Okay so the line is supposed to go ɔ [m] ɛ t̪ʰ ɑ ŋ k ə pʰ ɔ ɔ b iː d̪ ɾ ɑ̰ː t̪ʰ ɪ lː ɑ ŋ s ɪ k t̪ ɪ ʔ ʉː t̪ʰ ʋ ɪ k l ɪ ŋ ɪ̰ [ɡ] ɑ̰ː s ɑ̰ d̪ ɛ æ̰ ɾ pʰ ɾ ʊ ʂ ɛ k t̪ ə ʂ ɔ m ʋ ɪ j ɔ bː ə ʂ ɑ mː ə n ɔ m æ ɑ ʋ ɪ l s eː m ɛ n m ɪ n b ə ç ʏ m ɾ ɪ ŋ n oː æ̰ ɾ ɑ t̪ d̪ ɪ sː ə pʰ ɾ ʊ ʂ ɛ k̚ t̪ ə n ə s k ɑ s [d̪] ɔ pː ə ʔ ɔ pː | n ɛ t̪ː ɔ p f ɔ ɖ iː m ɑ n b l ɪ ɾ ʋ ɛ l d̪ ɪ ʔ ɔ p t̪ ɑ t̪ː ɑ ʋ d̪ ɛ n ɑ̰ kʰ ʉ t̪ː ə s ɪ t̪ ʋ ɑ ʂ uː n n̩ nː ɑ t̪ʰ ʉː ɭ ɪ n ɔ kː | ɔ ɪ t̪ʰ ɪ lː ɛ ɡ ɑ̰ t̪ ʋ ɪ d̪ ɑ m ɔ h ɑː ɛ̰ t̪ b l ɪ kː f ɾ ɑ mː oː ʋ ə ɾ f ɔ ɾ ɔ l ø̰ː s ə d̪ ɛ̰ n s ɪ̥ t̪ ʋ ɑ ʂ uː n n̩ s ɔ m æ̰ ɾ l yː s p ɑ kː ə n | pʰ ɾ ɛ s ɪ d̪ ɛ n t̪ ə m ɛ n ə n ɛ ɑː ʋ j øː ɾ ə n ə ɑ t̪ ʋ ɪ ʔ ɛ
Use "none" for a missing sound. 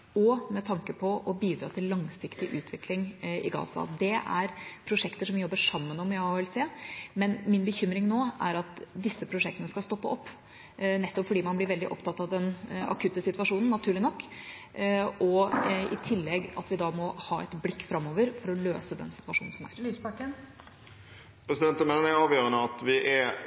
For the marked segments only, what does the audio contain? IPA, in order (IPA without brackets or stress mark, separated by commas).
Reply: m, ɡ, t̪